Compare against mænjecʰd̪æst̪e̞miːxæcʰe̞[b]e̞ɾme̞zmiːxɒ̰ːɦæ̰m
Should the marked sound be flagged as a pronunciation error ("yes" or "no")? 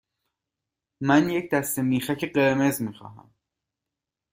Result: yes